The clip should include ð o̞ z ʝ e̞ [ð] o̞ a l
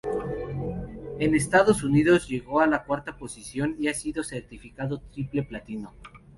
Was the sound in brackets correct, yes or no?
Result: no